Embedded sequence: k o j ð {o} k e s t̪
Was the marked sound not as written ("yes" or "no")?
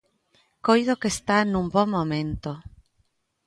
no